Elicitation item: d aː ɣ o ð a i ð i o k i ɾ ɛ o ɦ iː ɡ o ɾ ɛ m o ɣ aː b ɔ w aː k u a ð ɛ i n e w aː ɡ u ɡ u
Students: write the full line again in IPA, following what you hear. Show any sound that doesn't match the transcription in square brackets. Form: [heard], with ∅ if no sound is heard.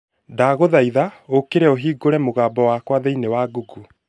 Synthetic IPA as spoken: d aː ɣ o ð a i ð [a] o k [e] ɾ ɛ o ɦ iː ɡ o ɾ ɛ m o ɣ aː b ɔ w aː k [w] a ð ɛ i n e w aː ɡ u ɡ u